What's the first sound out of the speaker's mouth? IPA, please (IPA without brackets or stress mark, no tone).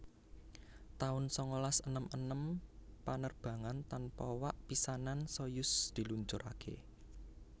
t̪